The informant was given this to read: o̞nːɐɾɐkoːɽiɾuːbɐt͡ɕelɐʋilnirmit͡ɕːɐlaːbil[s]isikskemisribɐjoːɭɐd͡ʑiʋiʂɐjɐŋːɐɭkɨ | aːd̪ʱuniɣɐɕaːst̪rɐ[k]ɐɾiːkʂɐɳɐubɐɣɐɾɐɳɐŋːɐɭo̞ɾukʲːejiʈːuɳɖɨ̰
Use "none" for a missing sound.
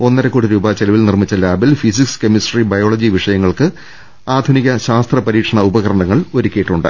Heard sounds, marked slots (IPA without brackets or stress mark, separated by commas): f, p